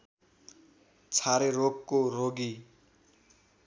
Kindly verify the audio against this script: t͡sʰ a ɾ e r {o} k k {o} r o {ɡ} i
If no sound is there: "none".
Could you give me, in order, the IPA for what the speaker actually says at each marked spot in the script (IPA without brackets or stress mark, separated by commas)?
o, o, ɡ